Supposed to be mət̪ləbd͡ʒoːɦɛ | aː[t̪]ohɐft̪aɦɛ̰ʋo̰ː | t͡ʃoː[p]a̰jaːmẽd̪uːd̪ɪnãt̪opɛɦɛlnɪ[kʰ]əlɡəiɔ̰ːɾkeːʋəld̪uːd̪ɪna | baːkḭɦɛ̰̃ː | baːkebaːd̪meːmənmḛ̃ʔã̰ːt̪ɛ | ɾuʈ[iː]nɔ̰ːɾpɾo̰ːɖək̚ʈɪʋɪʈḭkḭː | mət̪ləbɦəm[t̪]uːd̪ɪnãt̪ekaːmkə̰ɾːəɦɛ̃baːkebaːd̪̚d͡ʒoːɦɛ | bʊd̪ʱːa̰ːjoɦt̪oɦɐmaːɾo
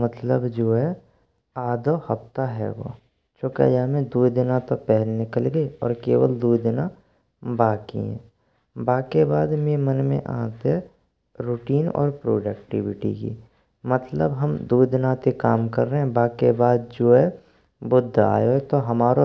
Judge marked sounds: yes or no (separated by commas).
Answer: no, no, no, yes, no